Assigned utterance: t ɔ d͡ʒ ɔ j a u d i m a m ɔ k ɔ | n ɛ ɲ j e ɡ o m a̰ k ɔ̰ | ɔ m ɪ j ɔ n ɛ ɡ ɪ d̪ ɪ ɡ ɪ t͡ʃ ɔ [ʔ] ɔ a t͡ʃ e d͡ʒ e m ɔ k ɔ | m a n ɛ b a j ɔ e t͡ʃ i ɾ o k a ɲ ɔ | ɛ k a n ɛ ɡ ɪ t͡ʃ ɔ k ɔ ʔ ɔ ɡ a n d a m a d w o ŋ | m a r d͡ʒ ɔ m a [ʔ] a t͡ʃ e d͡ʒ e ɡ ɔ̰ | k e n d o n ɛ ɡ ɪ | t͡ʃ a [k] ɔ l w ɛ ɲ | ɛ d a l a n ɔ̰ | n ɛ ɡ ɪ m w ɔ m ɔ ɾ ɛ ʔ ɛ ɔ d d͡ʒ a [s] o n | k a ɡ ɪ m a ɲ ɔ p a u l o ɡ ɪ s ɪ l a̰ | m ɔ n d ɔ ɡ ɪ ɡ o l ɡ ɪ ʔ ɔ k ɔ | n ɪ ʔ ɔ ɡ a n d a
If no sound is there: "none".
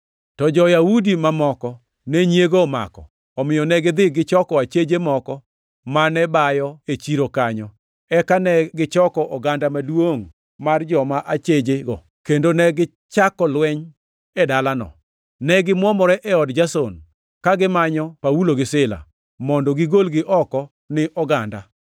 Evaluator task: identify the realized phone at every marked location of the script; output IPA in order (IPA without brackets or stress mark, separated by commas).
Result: k, ʔ, k, s